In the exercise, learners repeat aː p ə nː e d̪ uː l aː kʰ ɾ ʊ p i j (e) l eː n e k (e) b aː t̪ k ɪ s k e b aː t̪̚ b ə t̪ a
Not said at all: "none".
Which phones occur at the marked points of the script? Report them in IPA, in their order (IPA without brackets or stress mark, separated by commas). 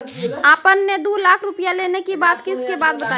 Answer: a, i